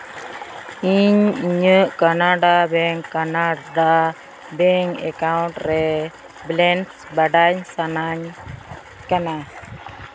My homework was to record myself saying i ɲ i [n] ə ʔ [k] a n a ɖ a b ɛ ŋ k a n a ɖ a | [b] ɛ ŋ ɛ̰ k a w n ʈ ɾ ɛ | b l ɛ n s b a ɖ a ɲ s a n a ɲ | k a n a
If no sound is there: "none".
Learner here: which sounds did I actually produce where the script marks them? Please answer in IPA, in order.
ɲ, k, b

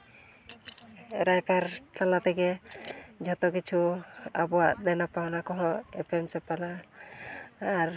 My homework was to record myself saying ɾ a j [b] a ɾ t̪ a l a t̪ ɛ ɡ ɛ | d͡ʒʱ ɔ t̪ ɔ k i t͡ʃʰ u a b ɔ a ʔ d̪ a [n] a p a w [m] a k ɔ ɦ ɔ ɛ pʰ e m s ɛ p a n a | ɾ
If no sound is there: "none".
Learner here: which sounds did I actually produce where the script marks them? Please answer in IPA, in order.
p, n, n

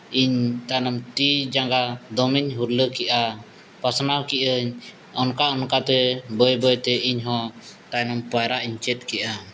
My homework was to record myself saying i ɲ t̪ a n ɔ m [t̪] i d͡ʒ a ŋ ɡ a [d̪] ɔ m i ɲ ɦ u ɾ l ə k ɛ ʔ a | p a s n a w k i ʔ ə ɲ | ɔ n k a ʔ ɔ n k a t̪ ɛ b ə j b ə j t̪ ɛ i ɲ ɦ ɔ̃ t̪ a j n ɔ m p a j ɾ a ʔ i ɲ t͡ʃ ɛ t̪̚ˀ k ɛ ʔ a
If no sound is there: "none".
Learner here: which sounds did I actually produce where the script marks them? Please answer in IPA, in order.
t̪, d̪

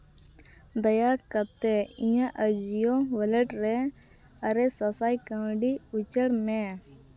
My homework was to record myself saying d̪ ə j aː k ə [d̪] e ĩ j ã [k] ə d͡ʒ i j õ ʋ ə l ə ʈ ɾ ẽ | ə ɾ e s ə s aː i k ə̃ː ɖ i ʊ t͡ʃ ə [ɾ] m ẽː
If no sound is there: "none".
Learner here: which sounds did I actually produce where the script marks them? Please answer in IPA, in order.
t̪, ʔ, ɽ

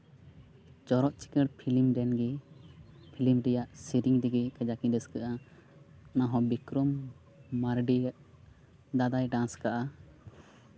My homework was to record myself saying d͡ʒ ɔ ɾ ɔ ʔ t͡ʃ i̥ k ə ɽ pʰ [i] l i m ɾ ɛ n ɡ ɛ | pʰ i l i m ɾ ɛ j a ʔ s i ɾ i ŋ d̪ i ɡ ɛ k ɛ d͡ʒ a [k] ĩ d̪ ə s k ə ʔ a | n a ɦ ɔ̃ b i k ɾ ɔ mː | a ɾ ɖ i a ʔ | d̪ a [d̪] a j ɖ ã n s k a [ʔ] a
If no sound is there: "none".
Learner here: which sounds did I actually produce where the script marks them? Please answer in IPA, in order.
i, k, d̪, ʔ

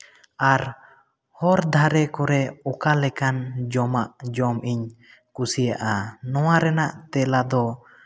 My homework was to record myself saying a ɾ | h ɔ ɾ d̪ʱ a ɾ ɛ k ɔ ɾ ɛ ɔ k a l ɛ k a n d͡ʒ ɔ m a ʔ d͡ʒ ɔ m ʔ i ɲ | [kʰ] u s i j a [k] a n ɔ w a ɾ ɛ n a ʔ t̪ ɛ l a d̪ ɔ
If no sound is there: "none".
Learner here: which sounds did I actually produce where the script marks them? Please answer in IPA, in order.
k, ʔ

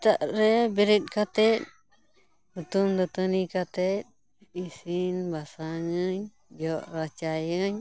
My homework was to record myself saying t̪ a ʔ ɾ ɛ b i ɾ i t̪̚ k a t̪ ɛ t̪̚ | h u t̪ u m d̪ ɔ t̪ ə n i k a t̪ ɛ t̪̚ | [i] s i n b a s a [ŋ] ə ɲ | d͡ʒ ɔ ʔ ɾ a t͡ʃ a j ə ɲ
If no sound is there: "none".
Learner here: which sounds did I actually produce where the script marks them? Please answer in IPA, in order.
i, ŋ

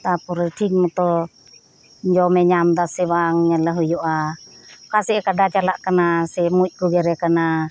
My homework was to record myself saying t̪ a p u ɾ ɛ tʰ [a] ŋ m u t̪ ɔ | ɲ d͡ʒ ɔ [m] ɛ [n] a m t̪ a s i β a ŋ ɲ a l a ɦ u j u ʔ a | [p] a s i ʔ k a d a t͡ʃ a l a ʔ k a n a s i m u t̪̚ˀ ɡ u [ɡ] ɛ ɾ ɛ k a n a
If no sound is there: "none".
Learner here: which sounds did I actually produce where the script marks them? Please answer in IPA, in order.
i, m, ɲ, k, ɡ

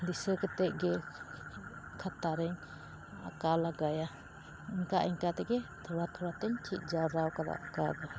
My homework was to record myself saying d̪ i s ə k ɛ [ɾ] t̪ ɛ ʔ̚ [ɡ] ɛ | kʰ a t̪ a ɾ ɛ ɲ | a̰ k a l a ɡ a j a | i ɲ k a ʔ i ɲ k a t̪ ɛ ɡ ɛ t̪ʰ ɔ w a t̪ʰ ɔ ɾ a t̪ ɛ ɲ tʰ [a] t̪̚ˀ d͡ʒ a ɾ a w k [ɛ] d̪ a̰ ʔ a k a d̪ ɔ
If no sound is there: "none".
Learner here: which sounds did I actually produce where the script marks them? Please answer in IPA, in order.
none, ɡ, i, a

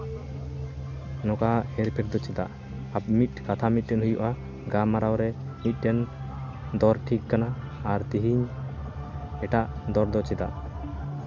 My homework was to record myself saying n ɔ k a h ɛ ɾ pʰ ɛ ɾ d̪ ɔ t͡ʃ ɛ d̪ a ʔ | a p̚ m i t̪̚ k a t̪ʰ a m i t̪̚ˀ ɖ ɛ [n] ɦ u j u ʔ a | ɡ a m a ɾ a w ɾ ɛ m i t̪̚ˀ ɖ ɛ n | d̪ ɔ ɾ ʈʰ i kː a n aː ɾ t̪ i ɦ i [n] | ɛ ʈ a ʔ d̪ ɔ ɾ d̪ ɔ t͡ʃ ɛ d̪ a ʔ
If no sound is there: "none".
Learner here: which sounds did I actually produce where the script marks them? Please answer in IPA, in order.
n, ɲ

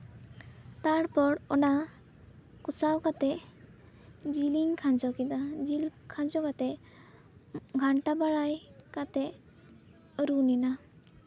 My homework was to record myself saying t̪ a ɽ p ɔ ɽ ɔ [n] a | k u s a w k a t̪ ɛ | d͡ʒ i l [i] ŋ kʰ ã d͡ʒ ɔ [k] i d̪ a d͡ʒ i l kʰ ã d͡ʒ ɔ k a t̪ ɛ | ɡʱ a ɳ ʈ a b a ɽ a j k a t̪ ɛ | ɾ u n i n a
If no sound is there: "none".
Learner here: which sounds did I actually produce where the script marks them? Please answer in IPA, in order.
n, i, k

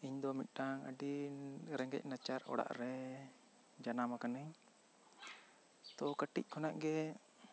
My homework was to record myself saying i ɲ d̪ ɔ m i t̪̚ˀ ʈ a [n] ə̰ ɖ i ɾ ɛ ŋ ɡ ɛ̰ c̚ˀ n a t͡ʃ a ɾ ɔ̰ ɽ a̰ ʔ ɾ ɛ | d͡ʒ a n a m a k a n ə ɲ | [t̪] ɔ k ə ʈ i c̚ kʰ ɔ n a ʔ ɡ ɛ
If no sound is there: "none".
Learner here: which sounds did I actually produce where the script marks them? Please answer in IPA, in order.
ŋ, t̪

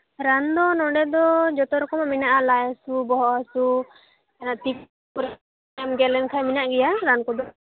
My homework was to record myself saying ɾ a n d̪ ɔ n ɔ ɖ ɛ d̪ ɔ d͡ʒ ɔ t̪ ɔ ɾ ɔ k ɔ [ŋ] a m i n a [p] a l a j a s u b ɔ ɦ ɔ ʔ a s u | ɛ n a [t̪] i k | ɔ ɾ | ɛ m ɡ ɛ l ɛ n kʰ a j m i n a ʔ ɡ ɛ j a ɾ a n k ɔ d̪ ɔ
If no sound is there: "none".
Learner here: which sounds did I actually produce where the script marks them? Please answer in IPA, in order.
m, ʔ, t̪

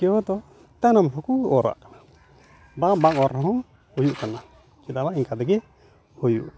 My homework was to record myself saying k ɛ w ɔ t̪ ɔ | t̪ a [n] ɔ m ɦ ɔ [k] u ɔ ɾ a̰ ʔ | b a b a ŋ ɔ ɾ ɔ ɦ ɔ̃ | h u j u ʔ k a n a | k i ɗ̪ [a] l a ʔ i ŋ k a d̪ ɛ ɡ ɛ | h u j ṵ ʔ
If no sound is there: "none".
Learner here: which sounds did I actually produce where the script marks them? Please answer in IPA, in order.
n, k, a

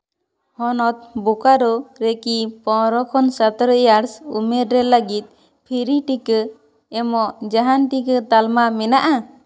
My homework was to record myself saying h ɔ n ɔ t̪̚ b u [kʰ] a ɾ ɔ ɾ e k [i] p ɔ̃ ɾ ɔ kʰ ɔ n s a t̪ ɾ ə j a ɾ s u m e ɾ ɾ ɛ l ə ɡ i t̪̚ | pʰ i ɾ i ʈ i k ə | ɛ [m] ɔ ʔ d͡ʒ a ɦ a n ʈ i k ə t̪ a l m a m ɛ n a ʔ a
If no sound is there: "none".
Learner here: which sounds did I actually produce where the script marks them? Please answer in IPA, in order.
k, i, m

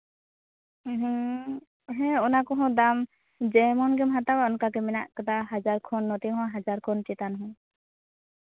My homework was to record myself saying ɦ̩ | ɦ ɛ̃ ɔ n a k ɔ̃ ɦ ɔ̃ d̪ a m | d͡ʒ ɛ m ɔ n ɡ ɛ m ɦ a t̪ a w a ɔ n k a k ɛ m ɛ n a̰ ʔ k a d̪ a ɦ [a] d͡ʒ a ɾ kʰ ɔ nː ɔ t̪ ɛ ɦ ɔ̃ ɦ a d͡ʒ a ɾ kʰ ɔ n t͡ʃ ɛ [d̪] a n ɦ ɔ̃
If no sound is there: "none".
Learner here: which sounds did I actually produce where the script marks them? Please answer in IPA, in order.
a, t̪

